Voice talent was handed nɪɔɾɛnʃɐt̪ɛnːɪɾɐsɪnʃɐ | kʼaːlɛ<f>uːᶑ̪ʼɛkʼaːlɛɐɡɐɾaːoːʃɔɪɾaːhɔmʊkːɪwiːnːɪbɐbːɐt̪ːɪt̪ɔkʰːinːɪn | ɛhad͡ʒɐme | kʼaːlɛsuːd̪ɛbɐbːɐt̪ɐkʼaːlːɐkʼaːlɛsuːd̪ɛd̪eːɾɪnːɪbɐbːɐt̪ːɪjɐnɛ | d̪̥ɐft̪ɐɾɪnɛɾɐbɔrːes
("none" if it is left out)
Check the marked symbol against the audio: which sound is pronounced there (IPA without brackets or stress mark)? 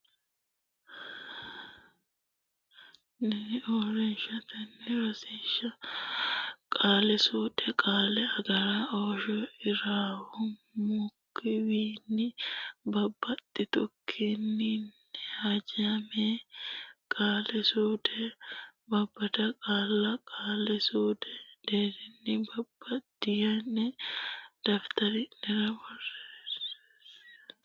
s